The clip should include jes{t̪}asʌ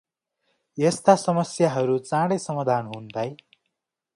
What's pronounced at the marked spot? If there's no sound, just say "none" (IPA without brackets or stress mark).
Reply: t̪